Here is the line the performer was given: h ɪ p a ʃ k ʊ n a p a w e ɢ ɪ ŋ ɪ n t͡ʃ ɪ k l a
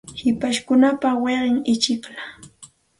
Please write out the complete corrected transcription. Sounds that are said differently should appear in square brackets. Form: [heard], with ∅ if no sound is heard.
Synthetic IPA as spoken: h ɪ p a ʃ k ʊ n a p a w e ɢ ɪ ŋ ɪ [∅] t͡ʃ ɪ k l a